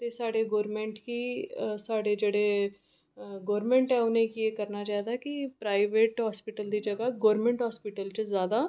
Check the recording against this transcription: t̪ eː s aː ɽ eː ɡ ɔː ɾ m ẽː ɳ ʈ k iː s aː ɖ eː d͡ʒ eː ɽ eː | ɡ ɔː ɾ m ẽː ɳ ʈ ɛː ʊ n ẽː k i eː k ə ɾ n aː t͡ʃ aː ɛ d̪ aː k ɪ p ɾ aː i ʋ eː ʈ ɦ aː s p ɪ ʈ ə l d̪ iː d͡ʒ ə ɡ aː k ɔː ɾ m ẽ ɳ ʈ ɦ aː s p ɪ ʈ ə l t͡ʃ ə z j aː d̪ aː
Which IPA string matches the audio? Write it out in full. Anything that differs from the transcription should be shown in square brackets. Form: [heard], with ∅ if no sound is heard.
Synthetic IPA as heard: t̪ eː s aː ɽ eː ɡ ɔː ɾ m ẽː ɳ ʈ k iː s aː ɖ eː d͡ʒ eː ɽ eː | ɡ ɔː ɾ m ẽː ɳ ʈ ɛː ʊ n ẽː k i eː k ə ɾ n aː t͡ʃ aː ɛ d̪ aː k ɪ p ɾ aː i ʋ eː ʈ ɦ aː s p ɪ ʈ ə l d̪ iː d͡ʒ ə ɡ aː [ɡ] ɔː ɾ m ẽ ɳ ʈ ɦ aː s p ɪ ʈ ə l t͡ʃ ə z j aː d̪ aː

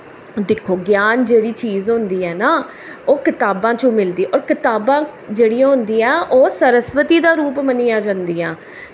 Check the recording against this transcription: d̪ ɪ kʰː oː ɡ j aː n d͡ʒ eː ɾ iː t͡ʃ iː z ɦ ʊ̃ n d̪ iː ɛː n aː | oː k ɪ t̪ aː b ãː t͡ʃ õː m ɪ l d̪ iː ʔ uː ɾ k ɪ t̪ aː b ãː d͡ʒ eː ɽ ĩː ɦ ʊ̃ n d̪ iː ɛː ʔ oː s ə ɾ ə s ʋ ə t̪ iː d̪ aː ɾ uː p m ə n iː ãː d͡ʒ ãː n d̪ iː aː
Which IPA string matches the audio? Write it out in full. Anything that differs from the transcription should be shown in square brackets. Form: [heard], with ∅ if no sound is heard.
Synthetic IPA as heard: d̪ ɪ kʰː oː ɡ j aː n d͡ʒ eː [ɽ] iː t͡ʃ iː z ɦ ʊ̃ n d̪ iː ɛː n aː | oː k ɪ t̪ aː b ãː t͡ʃ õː m ɪ l d̪ iː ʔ [ɔː] ɾ k ɪ t̪ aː b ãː d͡ʒ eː ɽ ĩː ɦ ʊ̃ n d̪ iː ɛː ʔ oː s ə ɾ ə s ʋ ə t̪ iː d̪ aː ɾ uː p m ə n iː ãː d͡ʒ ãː n d̪ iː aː

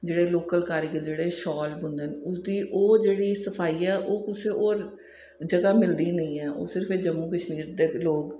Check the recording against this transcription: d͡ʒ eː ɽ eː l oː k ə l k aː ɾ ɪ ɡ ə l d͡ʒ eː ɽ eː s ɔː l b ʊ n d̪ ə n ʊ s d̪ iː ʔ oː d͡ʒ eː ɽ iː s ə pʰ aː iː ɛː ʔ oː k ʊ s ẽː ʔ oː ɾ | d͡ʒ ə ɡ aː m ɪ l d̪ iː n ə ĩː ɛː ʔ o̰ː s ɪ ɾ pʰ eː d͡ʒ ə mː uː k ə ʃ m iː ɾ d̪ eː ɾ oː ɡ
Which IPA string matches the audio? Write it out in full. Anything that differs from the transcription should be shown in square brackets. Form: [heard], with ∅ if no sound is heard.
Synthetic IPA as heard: d͡ʒ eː ɽ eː l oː k ə l k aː ɾ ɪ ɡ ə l d͡ʒ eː ɽ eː [ʃ] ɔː l b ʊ n d̪ ə n ʊ s d̪ iː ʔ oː d͡ʒ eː ɽ iː s ə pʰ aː iː ɛː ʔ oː k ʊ s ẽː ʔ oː ɾ | d͡ʒ ə ɡ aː m ɪ l d̪ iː n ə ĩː ɛː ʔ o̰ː s ɪ ɾ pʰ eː d͡ʒ ə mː uː k ə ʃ m iː ɾ d̪ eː [l] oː ɡ

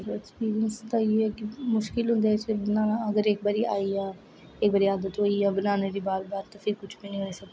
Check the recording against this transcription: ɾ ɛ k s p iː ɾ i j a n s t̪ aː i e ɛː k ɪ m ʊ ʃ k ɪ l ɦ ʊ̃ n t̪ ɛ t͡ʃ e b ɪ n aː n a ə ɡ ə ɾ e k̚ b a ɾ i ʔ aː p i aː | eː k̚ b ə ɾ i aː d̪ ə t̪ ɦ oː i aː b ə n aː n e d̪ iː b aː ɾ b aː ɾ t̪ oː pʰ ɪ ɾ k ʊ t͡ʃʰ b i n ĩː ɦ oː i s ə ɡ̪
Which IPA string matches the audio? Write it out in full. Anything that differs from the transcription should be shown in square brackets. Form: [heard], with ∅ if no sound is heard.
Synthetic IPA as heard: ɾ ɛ k s p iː ɾ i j [ə] n s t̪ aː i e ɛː k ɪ m ʊ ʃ k ɪ l ɦ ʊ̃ n [d̪] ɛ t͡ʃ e b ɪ n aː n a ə ɡ ə ɾ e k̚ b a ɾ i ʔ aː [∅] i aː | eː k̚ b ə ɾ i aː d̪ ə t̪ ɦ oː i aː b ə n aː n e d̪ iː b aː ɾ b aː ɾ t̪ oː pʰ ɪ ɾ k ʊ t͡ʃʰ b i n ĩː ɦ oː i s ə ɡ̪

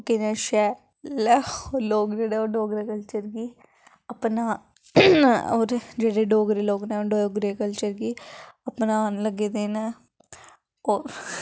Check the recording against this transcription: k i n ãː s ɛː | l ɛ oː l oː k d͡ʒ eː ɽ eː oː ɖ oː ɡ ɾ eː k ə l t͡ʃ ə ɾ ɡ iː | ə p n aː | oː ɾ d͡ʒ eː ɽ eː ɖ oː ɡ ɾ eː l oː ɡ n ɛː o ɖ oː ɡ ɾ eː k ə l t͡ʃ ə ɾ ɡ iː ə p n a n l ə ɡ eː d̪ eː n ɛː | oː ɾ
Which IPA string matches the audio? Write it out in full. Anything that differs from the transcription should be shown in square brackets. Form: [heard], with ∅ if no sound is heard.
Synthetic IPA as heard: k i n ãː [ʃ] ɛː | l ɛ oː l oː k d͡ʒ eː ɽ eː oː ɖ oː ɡ ɾ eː k ə l t͡ʃ ə ɾ ɡ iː | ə p n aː | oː ɾ d͡ʒ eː ɽ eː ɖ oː ɡ ɾ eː l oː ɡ n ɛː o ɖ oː ɡ ɾ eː k ə l t͡ʃ ə ɾ ɡ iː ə p n a n l ə ɡ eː d̪ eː n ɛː | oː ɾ

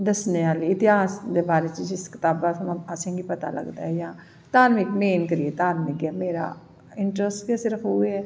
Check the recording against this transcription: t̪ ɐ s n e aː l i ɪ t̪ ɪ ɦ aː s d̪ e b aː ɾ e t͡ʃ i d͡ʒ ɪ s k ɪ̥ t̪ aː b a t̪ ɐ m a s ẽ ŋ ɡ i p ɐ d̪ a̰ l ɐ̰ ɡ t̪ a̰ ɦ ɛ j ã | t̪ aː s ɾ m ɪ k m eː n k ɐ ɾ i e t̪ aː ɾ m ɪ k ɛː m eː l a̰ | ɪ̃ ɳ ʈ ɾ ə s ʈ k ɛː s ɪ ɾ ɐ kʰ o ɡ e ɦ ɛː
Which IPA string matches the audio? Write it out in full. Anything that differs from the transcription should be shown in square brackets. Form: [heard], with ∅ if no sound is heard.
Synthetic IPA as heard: [d̪] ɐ s n e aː l i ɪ t̪ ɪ ɦ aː s d̪ e b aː ɾ e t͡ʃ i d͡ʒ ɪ s k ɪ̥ t̪ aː b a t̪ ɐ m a s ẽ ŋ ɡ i p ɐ [t̪] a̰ l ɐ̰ ɡ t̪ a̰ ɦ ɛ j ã | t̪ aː [∅] ɾ m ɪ k m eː n k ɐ ɾ i e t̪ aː ɾ m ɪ k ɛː m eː [ɾ] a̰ | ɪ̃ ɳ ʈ ɾ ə s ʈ k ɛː s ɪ ɾ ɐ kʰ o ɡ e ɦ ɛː

